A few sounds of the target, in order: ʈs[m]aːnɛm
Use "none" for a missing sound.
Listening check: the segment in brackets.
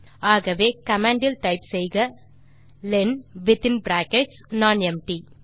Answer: n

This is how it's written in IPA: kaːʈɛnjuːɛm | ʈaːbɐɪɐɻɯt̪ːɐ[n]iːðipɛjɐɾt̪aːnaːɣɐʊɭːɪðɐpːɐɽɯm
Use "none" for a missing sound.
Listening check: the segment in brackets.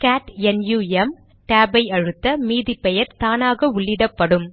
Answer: m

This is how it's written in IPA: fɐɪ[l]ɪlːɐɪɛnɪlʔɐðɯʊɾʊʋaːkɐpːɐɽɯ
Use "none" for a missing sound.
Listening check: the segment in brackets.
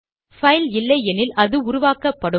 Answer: l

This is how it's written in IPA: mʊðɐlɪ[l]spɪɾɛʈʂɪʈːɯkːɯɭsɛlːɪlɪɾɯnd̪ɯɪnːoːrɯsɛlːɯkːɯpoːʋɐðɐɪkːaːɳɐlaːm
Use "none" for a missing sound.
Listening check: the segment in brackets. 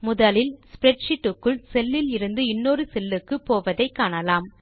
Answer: l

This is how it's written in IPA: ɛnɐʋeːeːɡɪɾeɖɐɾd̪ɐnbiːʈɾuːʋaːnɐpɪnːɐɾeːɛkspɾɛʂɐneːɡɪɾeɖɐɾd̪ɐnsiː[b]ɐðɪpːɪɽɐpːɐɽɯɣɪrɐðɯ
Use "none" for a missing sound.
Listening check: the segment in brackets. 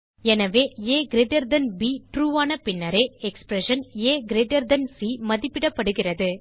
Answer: m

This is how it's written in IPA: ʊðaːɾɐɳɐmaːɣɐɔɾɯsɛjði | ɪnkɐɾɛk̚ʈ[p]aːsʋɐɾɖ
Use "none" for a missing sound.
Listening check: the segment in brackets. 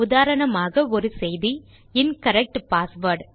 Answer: p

